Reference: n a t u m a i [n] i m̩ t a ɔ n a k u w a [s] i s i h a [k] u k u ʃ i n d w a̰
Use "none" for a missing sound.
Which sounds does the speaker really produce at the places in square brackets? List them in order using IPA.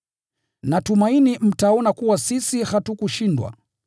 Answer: n, s, t

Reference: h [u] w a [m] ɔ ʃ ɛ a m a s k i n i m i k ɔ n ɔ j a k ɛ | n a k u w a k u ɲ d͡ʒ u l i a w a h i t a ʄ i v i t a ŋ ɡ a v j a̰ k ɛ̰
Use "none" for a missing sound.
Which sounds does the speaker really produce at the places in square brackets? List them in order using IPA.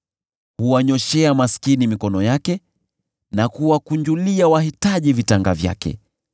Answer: u, ɲ

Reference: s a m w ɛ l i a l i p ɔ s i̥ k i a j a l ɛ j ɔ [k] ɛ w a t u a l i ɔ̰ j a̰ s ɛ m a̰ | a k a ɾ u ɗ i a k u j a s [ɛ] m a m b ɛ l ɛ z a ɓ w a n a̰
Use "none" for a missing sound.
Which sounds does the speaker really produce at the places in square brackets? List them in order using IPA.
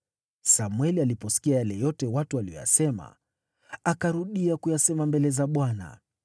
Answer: t, ɛ

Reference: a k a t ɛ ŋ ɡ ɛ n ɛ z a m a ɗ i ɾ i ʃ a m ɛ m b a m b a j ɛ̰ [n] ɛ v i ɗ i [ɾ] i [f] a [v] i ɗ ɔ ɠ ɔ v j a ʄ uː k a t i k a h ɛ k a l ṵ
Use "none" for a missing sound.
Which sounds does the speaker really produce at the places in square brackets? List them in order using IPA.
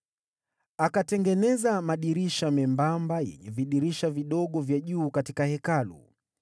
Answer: ɲ, ɾ, ʃ, v

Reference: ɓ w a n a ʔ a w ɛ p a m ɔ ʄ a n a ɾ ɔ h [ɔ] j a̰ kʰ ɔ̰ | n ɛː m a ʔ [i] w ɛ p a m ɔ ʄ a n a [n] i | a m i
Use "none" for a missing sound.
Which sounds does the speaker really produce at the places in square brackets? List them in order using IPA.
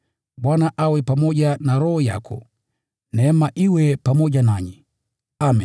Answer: ɔ, i, ɲ

